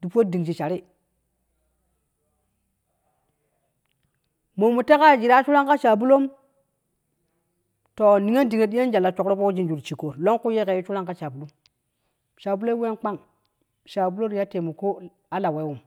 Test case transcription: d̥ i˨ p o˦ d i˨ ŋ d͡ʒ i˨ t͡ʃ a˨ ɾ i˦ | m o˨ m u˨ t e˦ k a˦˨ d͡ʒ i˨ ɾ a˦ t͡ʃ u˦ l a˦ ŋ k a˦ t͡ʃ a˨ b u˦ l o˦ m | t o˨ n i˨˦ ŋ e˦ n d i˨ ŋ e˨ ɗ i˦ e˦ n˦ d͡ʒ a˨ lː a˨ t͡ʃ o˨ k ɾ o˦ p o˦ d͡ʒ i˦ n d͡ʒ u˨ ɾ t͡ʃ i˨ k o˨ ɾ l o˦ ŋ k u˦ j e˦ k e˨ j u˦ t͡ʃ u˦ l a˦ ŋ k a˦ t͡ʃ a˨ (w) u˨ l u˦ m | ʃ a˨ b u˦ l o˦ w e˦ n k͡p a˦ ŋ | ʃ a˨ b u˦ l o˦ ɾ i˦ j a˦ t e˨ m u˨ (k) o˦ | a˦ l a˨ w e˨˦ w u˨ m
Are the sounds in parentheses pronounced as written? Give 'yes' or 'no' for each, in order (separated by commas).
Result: no, yes